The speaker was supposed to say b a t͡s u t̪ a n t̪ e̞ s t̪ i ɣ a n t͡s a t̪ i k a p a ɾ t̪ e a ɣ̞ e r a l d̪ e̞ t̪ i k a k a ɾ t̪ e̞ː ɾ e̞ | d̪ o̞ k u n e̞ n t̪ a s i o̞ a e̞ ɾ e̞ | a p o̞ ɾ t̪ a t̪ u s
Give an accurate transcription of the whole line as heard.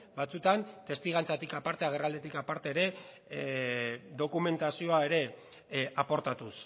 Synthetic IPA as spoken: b a t͡s u t̪ a n t̪ e̞ s t̪ i ɣ a n t͡s a t̪ i k a p a ɾ t̪ e a ɣ̞ e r a l d̪ e̞ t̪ i k a p a ɾ t̪ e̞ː ɾ e̞ | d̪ o̞ k u m e̞ n t̪ a s i o̞ a e̞ ɾ e̞ | a p o̞ ɾ t̪ a t̪ u s